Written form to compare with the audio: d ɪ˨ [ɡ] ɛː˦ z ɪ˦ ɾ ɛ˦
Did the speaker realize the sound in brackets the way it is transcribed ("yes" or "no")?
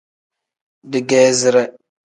yes